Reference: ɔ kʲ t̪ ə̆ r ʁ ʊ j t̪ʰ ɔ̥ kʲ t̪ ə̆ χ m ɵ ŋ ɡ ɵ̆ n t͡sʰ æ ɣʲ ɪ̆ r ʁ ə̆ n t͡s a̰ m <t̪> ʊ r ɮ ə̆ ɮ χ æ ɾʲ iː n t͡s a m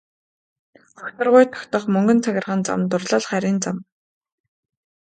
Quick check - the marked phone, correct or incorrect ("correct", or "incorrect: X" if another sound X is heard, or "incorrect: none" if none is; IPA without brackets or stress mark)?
correct